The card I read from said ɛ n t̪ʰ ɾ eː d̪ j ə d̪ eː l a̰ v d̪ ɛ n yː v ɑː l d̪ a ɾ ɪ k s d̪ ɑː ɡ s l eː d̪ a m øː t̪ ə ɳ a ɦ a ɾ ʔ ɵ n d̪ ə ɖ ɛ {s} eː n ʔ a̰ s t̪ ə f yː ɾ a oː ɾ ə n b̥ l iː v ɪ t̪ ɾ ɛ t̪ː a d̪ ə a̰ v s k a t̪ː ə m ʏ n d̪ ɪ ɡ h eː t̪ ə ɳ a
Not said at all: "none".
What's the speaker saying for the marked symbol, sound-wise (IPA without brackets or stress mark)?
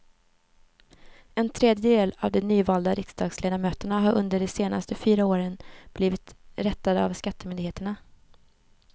s